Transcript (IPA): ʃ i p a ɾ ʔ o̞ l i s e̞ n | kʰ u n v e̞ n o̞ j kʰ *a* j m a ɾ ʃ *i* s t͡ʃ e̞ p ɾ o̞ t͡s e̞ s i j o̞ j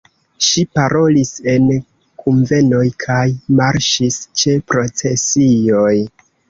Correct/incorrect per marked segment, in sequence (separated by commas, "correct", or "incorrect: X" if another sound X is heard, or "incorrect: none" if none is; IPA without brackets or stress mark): correct, correct